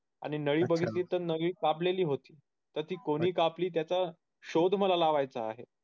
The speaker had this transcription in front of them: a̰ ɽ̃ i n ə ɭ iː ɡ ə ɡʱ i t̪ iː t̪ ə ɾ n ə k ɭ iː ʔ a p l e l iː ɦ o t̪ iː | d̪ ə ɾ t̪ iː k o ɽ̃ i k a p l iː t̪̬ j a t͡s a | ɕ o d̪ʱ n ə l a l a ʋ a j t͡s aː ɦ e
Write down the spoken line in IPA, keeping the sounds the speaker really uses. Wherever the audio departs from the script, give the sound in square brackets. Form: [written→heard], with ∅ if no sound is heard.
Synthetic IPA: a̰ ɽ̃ i n ə ɭ iː [ɡ→b] ə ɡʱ i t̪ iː t̪ ə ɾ n ə [k→ɡ] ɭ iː [ʔ→k] a p l e l iː ɦ o t̪ iː | [d̪→t̪] ə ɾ t̪ iː k o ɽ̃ [i→iː] k a p l iː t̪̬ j a t͡s a | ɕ o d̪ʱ [n→m] ə l a l a ʋ a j t͡s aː ɦ e